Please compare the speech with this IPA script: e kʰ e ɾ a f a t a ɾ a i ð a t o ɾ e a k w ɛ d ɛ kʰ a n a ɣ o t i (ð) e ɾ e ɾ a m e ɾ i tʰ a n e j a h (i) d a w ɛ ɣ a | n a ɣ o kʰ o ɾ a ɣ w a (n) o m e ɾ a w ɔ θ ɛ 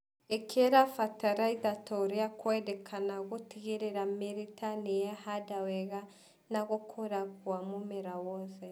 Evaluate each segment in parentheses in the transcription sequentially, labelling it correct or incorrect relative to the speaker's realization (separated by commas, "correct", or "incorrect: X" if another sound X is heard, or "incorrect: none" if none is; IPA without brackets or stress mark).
incorrect: ɣ, incorrect: a, incorrect: m